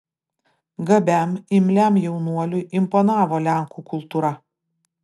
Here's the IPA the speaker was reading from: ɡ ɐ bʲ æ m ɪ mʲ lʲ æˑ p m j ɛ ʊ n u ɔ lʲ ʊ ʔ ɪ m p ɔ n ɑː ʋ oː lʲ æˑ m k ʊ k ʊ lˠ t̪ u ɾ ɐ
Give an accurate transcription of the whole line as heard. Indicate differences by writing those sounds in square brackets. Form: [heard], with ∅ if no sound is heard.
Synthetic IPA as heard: ɡ ɐ bʲ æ m ɪ mʲ lʲ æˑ [∅] m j ɛ ʊ n u ɔ lʲ ʊ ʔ ɪ m p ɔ n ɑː ʋ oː lʲ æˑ [ŋ] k [u] k ʊ lˠ t̪ u ɾ ɐ